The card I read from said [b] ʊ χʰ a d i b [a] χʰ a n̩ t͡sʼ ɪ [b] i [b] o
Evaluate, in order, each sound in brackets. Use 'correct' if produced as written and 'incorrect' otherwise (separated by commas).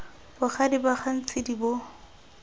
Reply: correct, correct, incorrect, correct